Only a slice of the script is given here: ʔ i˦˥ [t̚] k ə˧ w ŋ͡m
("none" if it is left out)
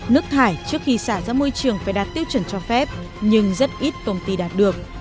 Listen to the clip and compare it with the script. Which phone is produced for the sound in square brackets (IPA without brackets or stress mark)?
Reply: t̚